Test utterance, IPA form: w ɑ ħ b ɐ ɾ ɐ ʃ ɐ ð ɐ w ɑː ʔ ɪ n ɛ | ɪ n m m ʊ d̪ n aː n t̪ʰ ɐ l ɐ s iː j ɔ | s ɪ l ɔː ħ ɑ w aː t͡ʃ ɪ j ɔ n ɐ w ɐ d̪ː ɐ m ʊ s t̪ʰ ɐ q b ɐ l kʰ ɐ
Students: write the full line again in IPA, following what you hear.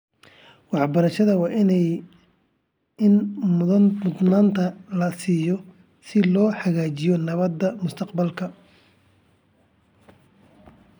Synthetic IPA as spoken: w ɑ ħ b ɐ ɾ ɐ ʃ ɐ ð ɐ w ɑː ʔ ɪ n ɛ | ɪ n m m ʊ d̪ n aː n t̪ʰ ɐ l ɐ s iː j ɔ | s ɪ l ɔː ħ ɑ ɣ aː t͡ʃ ɪ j ɔ n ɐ β ɐ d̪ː ɐ m ʊ s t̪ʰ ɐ q b ɐ l kʰ ɐ